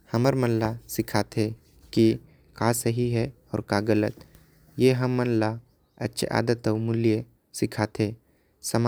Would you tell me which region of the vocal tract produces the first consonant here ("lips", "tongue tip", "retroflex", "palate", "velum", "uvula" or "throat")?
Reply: throat